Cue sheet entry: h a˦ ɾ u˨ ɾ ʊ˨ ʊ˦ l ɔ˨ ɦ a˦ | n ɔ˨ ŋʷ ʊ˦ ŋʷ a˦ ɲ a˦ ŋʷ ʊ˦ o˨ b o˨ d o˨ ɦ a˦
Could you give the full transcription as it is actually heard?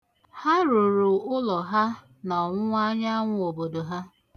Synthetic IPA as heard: h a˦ ɾ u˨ ɾ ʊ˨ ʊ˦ l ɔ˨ ɦ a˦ | n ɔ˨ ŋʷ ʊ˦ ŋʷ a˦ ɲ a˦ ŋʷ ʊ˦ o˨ b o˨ d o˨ ɦ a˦